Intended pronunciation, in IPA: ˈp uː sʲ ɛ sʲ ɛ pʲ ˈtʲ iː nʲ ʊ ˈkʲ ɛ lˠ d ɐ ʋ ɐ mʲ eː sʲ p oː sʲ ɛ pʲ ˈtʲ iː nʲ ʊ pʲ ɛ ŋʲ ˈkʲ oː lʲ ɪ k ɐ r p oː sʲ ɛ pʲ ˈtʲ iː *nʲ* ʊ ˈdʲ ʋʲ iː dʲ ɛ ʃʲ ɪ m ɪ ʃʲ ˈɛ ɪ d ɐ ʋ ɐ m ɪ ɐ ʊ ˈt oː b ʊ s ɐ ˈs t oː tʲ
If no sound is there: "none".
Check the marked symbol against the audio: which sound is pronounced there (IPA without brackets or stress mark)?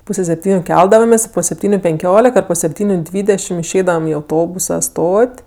nʲ